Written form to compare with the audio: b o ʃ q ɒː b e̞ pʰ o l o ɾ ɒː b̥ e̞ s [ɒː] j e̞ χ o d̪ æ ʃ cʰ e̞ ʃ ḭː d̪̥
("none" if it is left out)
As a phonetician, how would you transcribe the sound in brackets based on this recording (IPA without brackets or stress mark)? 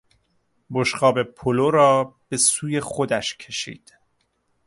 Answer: uː